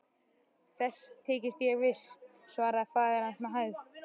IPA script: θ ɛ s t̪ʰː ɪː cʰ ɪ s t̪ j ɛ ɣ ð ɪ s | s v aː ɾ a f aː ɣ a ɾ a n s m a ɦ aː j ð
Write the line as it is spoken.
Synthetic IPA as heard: θ ɛ s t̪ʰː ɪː c ɪ s t̪ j ɛ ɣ v ɪ s | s v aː ɾ a f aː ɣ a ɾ a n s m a ɦ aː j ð